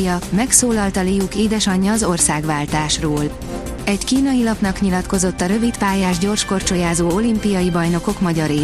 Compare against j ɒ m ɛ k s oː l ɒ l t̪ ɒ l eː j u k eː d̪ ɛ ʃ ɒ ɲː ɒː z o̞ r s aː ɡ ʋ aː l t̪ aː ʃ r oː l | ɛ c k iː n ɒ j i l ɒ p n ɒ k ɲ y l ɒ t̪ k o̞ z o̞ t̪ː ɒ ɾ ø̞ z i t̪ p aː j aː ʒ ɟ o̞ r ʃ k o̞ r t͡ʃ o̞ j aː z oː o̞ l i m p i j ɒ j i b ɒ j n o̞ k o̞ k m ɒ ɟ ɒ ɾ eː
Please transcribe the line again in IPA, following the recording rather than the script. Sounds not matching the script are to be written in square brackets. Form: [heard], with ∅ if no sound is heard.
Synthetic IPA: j ɒ m ɛ k s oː l ɒ l t̪ ɒ l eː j u k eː d̪ ɛ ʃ ɒ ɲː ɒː z o̞ r s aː ɡ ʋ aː l t̪ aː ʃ r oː l | ɛ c k iː n ɒ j i l ɒ p n ɒ k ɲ [i] l ɒ t̪ k o̞ z o̞ t̪ː ɒ ɾ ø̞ [v] i t̪ p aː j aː ʒ ɟ o̞ r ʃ k o̞ r t͡ʃ o̞ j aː z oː o̞ l i m p i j ɒ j i b ɒ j n o̞ k o̞ k m ɒ ɟ ɒ ɾ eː